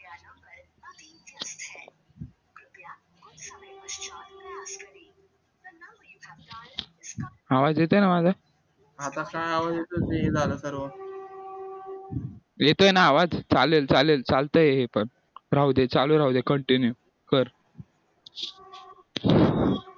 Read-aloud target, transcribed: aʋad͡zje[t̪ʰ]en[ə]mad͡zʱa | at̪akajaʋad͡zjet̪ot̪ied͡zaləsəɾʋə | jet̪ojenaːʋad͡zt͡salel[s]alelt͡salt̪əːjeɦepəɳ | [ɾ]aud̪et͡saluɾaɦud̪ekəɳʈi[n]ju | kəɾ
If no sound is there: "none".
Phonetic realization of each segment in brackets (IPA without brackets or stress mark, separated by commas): t̪, a, t͡s, ɾ, n